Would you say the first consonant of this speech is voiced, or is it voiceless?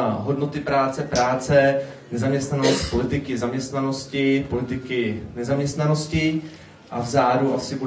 voiced